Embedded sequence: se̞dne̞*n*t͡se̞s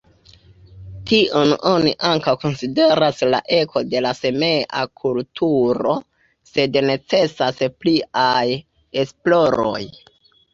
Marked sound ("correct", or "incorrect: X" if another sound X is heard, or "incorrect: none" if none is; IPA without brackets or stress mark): incorrect: none